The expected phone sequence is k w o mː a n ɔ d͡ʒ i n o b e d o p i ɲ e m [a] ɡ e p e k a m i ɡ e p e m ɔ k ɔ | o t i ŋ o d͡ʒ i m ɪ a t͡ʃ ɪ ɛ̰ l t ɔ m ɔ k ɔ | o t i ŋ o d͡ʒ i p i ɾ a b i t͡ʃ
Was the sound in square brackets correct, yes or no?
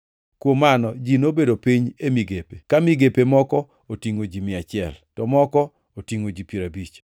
no